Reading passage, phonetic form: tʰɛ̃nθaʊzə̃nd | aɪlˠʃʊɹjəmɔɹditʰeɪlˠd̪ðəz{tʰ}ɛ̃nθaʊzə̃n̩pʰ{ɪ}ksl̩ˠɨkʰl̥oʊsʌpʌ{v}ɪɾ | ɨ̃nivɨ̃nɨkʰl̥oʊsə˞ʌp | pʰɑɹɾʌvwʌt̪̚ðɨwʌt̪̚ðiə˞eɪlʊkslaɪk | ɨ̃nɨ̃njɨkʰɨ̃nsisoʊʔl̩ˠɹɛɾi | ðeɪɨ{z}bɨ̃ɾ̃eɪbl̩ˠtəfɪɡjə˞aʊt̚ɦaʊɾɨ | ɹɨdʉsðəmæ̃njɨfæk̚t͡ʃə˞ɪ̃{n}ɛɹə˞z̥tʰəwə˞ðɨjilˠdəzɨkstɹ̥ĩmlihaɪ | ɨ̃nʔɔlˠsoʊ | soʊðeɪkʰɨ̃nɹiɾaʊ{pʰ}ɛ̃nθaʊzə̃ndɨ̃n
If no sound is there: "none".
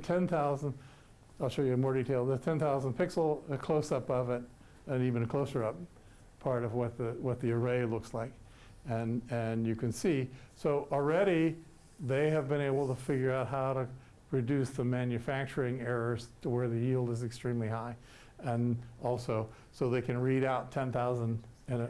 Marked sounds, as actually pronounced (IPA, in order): tʰ, ɪ, v, v, ŋ, tʰ

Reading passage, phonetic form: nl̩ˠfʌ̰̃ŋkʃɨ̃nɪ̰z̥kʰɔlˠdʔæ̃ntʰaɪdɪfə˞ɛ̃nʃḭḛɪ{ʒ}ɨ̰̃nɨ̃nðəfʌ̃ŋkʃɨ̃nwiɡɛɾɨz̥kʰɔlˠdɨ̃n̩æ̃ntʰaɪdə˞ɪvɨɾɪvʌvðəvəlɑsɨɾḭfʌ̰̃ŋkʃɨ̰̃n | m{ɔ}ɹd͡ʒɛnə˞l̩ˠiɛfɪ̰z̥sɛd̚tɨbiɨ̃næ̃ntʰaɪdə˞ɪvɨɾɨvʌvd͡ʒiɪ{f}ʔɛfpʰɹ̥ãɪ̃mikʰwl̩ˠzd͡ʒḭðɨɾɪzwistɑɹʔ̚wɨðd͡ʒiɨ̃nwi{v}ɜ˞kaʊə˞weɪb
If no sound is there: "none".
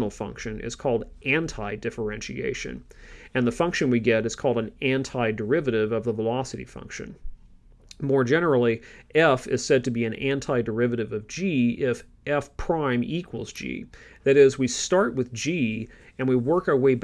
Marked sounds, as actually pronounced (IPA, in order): ʃ, ɔ, f, w

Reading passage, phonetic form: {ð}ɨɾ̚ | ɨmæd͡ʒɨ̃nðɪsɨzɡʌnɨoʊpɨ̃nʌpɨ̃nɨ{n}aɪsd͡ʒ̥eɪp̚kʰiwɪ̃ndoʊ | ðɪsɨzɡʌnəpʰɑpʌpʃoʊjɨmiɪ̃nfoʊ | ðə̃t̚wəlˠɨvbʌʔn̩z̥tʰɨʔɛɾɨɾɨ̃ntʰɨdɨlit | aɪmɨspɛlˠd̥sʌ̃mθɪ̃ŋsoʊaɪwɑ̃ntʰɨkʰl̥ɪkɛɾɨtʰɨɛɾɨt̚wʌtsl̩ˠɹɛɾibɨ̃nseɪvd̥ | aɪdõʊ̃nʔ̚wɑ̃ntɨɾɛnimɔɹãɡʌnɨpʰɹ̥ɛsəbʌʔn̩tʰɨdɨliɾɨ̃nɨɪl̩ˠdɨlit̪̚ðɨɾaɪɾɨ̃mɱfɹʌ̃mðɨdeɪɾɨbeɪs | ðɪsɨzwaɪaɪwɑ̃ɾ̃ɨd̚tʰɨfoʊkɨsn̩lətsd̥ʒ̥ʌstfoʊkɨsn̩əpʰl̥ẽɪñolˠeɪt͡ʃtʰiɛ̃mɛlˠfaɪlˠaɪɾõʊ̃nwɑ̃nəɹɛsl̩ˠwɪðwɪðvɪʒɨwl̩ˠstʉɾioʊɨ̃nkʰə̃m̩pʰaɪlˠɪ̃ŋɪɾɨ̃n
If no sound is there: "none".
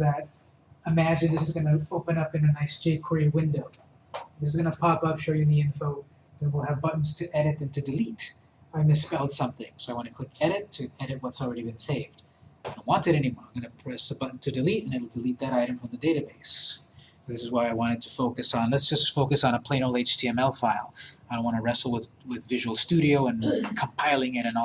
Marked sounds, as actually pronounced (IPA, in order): ð, n

